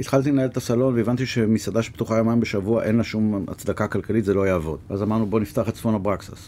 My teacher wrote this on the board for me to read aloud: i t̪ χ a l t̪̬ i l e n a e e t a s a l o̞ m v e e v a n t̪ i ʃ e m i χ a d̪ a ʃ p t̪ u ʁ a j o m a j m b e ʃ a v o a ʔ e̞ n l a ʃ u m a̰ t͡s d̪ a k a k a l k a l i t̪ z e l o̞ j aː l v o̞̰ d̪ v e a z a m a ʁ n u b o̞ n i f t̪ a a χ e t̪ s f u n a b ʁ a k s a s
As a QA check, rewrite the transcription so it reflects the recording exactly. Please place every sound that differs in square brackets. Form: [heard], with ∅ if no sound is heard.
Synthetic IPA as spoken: i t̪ χ a l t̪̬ i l e n a e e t a s a l o̞ [n] v e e v a n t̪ i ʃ e m i [s] a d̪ a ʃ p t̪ u [χ] a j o m a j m b e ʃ a v [u] a ʔ e̞ n l a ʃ u m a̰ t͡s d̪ a k a k a l k a l i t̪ z e l o̞ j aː [∅] v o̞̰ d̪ v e a z a m a ʁ n u b o̞ n i f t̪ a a χ e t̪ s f [o] n a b ʁ a k s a s